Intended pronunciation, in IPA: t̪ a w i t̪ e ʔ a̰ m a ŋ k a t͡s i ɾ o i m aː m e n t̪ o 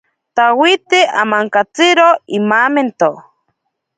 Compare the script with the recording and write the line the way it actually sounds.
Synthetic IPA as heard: t̪ a w i t̪ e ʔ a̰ m a ŋ k a t͡s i ɾ o i m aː m e n t̪ o